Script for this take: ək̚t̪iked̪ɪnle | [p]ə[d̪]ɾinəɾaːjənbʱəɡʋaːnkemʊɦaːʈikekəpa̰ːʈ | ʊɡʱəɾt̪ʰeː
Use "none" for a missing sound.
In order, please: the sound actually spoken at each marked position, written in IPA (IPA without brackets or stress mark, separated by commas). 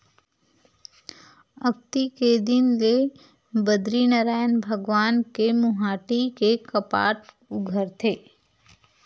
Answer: b, d̪